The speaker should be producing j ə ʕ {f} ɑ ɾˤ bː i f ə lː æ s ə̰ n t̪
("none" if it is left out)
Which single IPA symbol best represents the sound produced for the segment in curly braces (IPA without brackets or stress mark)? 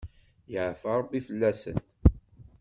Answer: f